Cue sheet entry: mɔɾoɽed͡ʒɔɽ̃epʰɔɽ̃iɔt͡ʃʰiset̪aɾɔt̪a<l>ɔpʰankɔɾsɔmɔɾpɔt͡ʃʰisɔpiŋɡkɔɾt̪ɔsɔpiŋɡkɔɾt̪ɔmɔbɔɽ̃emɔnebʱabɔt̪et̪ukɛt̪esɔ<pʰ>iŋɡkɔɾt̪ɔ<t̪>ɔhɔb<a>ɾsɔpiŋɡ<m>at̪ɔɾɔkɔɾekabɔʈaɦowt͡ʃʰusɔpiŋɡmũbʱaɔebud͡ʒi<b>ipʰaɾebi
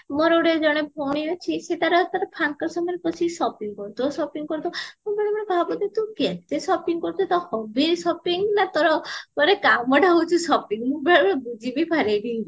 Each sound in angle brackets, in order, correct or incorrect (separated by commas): incorrect, incorrect, correct, incorrect, incorrect, correct